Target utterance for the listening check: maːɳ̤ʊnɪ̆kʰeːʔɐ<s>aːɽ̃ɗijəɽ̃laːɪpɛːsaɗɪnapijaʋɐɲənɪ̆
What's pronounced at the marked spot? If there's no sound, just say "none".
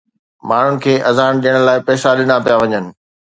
z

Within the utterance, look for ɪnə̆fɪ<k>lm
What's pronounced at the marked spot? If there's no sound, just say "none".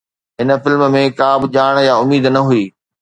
none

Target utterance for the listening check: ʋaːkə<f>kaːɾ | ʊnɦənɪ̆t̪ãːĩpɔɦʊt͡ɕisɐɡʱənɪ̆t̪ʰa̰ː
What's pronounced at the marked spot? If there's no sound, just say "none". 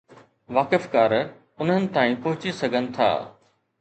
f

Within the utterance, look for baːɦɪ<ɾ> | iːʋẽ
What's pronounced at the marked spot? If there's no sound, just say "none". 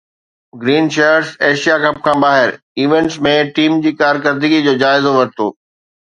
ɾ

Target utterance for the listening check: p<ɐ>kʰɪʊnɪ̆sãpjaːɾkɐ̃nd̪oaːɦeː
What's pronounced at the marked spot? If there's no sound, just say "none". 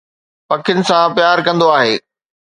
ɐ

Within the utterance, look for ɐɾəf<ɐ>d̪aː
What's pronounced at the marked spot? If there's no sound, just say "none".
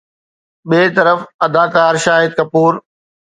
ɐ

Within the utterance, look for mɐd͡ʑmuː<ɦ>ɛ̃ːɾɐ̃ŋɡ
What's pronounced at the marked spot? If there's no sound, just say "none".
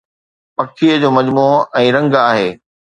none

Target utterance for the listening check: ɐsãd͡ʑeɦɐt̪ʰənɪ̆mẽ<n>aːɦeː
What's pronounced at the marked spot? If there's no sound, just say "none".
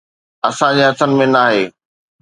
n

